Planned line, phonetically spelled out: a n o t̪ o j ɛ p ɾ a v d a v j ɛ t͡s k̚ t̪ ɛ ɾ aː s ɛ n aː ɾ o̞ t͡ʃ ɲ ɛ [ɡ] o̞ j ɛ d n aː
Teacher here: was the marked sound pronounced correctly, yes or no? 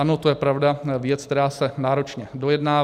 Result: no